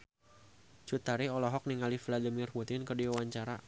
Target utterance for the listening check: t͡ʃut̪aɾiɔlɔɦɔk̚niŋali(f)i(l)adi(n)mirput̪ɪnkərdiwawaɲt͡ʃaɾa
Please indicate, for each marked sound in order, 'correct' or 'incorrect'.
correct, correct, incorrect: none

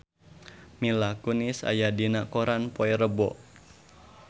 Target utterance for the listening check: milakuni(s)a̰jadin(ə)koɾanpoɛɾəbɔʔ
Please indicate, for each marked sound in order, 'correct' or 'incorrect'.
correct, incorrect: a

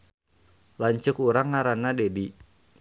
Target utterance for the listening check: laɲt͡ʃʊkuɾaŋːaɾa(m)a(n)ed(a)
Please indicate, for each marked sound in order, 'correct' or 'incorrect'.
incorrect: n, incorrect: d, incorrect: i

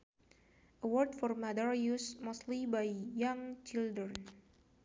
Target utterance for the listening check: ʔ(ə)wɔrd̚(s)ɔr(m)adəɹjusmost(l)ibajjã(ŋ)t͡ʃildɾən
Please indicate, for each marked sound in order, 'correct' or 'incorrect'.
correct, incorrect: f, correct, correct, correct

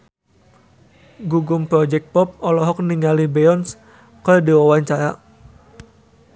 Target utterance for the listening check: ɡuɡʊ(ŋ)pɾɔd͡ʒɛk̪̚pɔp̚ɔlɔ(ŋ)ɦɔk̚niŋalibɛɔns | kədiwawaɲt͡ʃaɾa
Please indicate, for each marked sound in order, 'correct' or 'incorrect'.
incorrect: m, incorrect: none

